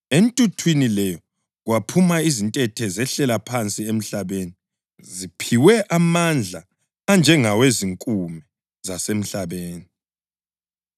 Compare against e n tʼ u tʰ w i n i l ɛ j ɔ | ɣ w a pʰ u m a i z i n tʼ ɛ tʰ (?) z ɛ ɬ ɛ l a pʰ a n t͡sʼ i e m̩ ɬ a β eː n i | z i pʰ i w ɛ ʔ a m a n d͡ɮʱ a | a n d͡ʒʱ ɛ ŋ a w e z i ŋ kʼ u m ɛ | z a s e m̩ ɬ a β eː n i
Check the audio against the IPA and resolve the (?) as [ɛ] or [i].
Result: ɛ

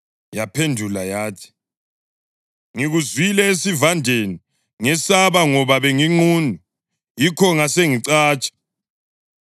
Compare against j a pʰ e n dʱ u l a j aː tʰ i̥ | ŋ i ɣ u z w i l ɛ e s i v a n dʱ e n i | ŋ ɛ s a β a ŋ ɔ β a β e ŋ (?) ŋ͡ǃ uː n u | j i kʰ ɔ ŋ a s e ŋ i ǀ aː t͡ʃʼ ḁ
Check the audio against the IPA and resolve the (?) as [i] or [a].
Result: i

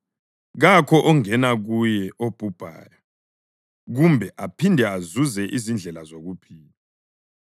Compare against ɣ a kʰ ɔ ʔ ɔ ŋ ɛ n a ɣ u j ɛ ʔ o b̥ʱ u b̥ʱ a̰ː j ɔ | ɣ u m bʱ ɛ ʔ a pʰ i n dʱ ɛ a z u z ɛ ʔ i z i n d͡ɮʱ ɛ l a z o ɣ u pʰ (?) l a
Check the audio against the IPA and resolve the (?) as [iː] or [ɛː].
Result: iː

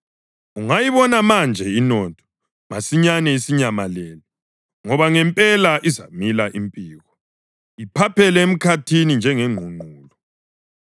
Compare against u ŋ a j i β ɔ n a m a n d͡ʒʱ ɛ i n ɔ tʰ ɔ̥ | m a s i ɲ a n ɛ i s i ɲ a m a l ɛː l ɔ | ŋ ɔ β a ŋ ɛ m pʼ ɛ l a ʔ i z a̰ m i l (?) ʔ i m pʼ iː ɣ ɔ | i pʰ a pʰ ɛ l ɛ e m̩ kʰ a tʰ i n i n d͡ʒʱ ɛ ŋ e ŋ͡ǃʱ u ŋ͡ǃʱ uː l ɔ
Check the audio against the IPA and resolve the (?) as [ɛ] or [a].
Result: a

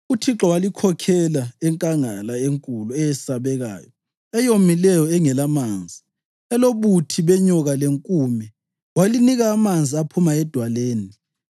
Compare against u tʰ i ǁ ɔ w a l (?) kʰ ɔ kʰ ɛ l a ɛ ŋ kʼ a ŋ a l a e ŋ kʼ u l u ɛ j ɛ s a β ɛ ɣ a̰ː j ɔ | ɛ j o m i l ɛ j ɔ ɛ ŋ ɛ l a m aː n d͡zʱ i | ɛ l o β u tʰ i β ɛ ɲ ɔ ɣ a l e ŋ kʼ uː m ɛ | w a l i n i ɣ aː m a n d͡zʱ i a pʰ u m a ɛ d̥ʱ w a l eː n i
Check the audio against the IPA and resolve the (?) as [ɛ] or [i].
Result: i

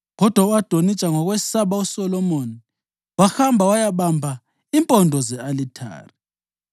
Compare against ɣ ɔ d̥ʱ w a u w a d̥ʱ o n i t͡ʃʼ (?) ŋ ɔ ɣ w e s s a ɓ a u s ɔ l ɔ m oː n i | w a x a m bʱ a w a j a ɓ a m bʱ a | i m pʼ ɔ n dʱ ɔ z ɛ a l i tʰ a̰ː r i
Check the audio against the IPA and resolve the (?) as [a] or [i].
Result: a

